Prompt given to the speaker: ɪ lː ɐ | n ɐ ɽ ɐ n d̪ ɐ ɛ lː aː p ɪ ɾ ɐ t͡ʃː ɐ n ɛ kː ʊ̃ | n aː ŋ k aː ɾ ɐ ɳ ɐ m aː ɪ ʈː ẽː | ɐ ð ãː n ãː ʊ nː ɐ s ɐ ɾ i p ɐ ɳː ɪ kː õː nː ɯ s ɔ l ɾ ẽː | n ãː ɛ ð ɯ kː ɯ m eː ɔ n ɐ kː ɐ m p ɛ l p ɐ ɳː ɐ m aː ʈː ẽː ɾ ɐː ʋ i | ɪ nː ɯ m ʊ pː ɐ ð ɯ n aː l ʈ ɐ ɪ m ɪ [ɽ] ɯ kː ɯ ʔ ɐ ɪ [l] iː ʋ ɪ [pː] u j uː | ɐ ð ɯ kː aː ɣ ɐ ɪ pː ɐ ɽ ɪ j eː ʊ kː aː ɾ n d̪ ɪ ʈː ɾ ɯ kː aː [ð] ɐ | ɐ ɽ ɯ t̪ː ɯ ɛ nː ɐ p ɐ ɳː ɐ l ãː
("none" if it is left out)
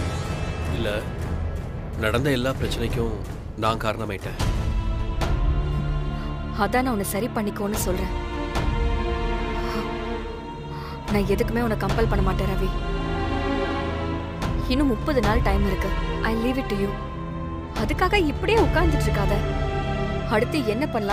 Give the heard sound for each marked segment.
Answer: ɾ, l, ʈː, ð

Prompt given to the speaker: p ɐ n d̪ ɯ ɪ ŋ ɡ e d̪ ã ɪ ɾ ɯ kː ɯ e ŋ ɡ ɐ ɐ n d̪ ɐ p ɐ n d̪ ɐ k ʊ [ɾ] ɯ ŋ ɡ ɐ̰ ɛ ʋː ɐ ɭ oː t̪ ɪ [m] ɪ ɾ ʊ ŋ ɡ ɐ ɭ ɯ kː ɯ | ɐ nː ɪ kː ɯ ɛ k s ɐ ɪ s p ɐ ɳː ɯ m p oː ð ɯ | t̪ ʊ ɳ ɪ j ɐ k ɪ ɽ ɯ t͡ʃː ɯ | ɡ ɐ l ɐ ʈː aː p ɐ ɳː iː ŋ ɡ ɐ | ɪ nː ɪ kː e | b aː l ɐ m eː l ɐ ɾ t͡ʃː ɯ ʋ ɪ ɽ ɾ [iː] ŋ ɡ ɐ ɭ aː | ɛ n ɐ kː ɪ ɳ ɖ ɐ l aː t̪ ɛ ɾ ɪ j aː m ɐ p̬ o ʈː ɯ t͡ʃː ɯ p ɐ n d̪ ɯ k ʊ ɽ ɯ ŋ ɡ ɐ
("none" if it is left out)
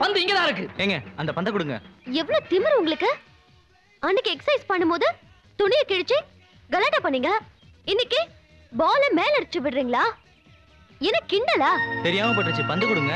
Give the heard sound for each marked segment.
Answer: ɽ, m, iː

